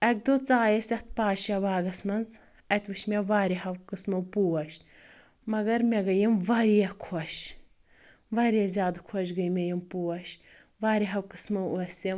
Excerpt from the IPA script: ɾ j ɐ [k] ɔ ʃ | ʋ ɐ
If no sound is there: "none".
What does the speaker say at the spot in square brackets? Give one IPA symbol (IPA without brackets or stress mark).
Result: kʰ